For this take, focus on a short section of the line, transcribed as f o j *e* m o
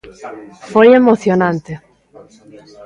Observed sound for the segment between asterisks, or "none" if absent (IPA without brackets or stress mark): e